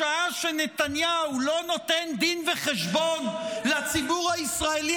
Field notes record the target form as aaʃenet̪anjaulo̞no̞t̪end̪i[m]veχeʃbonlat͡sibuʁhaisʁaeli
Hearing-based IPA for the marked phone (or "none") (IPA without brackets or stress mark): n